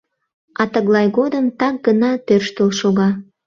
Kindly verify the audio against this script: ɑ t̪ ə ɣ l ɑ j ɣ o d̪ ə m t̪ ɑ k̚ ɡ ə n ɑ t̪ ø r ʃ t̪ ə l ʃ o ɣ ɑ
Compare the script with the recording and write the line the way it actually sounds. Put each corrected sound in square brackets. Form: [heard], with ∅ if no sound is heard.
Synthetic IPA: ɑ t̪ ə ɣ l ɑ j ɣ o d̪ ə m t̪ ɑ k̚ ɡ ə n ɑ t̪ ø r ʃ t̪ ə l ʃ o ɣ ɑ